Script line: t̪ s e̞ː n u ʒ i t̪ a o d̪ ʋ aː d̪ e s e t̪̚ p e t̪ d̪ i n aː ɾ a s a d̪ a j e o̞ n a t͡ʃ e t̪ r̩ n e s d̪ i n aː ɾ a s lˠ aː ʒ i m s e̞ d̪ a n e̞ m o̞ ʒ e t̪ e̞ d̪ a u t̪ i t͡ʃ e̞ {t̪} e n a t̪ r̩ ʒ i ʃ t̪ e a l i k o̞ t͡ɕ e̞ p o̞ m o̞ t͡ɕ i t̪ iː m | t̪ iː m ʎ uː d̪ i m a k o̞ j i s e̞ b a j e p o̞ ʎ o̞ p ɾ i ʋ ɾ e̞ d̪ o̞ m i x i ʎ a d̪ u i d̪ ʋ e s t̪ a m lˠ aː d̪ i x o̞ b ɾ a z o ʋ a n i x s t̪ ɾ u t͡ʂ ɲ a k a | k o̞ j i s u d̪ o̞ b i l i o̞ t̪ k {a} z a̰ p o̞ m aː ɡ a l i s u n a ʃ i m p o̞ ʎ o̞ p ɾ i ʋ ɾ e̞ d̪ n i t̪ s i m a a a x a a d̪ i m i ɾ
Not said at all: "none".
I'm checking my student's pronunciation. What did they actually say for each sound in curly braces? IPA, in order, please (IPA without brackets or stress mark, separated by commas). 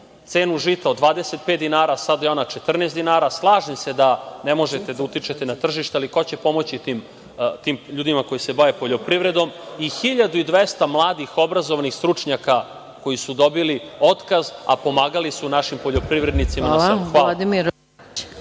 t̪, a